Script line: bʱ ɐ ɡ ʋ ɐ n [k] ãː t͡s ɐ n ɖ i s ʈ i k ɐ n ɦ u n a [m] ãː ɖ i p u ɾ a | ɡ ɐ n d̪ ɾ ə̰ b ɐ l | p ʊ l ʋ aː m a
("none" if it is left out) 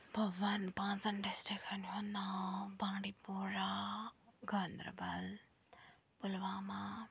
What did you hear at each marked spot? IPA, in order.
p, b

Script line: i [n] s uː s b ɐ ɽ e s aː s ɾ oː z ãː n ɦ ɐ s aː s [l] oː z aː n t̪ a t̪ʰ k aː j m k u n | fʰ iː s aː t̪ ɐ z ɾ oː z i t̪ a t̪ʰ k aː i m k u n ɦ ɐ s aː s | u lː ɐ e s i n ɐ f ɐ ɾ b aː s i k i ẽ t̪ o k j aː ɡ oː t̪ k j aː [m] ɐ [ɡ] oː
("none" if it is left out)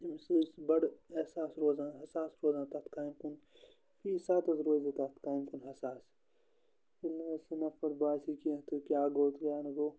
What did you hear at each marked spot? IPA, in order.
m, ɾ, n, ɡ

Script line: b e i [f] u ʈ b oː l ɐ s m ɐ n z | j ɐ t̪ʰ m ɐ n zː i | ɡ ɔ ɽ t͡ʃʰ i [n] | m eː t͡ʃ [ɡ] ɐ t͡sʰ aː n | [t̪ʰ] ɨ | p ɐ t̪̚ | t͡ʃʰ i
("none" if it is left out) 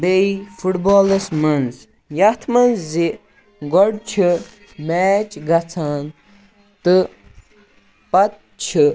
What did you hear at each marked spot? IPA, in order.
f, none, ɡ, t̪

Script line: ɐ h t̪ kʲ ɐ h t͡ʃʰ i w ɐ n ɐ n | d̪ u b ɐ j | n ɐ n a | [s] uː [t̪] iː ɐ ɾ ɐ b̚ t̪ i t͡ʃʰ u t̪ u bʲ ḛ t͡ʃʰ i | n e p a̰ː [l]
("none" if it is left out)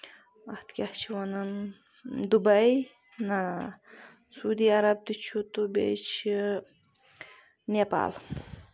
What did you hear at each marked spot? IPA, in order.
s, d̪, l

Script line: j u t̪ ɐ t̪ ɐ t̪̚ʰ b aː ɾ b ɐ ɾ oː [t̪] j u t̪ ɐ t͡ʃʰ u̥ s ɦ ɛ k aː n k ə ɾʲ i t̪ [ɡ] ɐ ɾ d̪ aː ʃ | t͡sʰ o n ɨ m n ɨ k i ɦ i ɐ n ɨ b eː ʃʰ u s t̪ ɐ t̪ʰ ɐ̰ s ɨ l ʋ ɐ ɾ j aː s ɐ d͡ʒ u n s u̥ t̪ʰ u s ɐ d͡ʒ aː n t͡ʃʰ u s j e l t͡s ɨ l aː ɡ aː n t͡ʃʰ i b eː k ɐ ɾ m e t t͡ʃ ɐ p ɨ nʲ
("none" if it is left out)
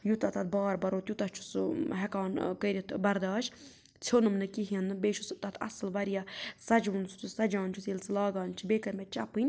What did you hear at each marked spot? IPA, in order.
t̪, b

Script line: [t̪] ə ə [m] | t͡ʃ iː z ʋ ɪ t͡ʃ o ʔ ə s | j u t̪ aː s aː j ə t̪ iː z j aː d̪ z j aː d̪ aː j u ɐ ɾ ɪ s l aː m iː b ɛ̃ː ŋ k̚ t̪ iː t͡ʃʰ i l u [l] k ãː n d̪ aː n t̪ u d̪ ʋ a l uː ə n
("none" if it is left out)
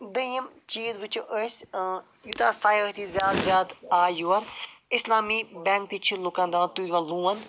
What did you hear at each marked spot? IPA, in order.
d̪, m, none

